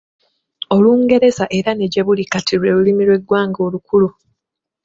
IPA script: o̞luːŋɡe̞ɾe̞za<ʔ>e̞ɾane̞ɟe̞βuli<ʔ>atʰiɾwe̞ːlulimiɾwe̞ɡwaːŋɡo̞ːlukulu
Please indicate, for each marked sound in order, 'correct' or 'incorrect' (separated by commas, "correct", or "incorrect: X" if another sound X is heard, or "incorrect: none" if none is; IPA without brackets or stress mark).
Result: correct, incorrect: k